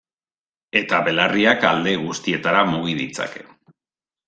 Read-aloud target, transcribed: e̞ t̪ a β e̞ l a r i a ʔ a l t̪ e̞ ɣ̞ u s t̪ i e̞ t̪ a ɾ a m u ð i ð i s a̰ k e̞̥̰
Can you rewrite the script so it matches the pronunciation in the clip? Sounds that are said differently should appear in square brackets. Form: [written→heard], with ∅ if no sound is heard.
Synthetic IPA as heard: e̞ t̪ a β e̞ l a r i a [ʔ→k] a l [t̪→d̪] e̞ ɣ̞ u s t̪ i e̞ t̪ a ɾ a m u [ð→ɣ] i ð i [s→t͡s] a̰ k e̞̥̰